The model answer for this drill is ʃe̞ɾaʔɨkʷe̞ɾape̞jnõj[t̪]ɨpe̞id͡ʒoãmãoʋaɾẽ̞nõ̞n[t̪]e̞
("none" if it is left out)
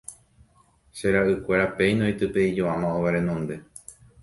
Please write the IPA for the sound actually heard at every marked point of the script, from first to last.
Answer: t̪, d̪

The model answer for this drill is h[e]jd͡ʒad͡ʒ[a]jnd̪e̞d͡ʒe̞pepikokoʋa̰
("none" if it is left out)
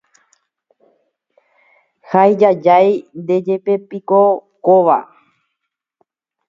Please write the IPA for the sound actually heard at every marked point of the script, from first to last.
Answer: a, a

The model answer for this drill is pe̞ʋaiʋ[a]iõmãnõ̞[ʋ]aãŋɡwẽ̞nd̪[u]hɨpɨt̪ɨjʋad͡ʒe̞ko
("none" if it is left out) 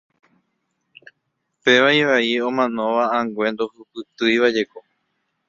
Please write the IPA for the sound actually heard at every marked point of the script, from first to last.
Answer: a, ʋ, o

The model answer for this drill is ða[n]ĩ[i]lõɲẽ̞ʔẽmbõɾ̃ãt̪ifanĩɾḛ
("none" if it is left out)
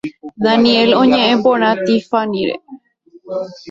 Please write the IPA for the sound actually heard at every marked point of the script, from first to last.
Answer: n, e

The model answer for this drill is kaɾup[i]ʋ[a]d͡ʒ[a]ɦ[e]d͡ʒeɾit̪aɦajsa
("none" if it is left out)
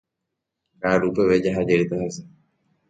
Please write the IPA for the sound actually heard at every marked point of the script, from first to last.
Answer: e, e, a, a

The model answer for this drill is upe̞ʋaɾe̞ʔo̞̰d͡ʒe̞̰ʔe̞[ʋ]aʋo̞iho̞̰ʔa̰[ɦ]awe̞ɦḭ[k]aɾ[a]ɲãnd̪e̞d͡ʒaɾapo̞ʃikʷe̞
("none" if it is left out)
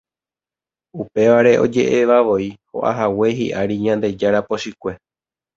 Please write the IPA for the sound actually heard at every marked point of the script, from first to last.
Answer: ʋ, ɦ, ʔ, i

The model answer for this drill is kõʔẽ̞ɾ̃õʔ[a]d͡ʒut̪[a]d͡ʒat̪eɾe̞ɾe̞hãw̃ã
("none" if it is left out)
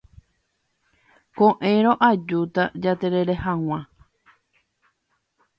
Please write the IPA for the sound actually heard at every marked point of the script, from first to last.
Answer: a, a

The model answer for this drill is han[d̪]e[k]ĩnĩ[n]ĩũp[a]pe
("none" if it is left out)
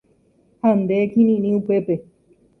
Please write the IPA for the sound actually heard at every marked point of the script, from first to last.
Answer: d̪, k, n, e

